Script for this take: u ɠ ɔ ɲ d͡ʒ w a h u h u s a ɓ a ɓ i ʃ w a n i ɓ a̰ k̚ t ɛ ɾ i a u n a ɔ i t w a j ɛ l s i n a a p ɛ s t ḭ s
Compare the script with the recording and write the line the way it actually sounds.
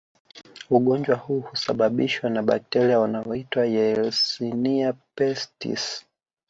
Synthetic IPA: u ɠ ɔ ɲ d͡ʒ w a h u h u s a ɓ a ɓ i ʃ w a n a ɓ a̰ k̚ t ɛ ɾ i a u n a ɔ i t w a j ɛ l s i n i a p ɛ s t ḭ s